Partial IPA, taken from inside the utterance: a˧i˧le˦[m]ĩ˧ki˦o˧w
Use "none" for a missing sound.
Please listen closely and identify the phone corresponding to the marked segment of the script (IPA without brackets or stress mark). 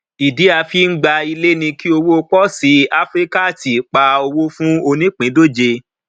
n